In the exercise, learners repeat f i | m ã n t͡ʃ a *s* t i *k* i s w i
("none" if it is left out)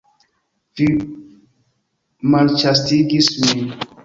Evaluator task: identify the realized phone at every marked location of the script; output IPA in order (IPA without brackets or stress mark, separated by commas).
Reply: s, ɡ